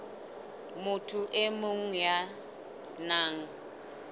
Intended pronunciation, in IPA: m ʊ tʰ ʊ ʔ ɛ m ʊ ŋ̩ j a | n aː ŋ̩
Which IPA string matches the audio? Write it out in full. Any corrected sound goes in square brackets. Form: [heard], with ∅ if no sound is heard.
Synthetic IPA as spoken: m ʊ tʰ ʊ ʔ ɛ m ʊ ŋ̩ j a | n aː ŋ̩